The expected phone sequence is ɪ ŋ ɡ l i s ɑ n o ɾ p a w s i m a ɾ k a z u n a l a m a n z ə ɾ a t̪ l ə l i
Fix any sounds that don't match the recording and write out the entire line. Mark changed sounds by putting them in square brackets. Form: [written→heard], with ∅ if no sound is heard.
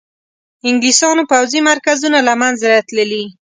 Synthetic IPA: ɪ ŋ ɡ l i s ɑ n o [ɾ→∅] p a w [s→z] i m a ɾ k a z u n a l a m a n z [ə→a] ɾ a t̪ l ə l i